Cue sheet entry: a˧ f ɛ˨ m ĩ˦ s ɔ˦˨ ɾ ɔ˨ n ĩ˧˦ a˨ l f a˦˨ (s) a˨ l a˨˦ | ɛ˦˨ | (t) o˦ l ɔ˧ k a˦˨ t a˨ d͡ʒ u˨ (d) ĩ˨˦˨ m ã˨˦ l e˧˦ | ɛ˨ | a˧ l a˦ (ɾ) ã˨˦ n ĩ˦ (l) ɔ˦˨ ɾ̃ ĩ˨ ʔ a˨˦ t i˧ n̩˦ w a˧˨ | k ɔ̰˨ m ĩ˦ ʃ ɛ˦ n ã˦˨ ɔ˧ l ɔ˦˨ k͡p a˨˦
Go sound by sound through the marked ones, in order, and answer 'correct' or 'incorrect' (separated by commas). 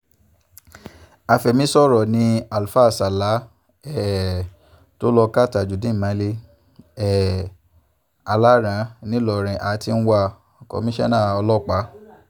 correct, correct, correct, correct, correct